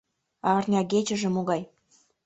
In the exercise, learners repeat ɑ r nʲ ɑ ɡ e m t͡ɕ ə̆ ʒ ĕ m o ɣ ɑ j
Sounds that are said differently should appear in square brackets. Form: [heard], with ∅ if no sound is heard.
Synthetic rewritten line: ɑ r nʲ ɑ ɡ e [∅] t͡ɕ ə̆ ʒ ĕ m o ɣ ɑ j